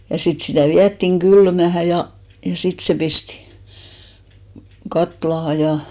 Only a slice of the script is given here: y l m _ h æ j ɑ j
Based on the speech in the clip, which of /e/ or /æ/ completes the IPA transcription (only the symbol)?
æ